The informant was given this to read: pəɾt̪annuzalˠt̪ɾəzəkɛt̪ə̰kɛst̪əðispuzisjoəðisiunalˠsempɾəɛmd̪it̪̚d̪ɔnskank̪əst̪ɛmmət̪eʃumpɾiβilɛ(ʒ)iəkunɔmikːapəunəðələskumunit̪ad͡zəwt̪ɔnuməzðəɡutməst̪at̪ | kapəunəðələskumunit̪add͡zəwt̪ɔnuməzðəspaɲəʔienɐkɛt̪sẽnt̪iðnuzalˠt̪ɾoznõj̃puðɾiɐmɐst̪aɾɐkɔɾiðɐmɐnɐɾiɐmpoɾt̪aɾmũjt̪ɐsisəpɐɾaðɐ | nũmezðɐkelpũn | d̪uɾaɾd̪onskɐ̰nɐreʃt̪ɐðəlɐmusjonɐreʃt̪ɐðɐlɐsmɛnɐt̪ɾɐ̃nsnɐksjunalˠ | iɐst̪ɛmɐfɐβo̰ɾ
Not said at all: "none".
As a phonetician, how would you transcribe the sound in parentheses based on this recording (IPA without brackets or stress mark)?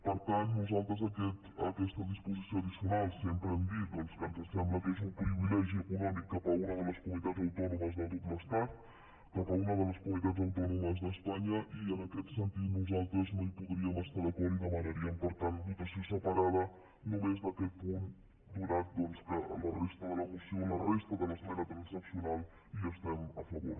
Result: ʒ